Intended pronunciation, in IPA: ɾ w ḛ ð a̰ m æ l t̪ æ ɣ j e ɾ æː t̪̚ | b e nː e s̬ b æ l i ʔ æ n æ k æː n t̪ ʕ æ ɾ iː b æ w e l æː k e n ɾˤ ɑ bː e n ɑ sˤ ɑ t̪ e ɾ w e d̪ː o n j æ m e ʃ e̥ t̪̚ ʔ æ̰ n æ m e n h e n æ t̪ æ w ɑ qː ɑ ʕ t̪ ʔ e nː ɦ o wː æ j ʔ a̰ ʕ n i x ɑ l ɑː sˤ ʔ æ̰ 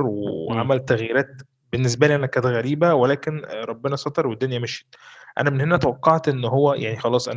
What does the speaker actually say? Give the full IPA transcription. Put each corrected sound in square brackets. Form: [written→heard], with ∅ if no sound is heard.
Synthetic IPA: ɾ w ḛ [ð→ʕ] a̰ m æ l t̪ æ ɣ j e ɾ æː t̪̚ | b e nː e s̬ b æ l i ʔ æ n æ k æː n t̪ [ʕ→ɣ] æ ɾ iː b æ w e l æː k e n ɾˤ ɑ bː e n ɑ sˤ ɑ t̪ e ɾ w e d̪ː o n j æ m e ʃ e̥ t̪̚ ʔ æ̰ n æ m e n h e n æ t̪ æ w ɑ qː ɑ ʕ t̪ ʔ e nː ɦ o wː æ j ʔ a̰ ʕ n i x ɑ l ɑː sˤ ʔ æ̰